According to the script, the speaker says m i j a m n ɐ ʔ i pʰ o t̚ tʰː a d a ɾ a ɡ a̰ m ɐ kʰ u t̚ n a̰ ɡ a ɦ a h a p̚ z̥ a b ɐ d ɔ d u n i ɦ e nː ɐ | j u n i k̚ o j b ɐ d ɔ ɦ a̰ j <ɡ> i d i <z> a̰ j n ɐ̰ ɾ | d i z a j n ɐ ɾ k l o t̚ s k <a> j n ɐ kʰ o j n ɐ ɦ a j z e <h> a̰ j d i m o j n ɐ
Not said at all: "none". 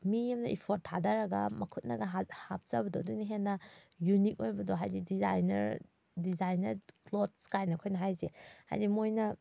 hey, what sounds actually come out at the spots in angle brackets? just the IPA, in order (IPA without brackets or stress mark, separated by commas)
d, z, a, h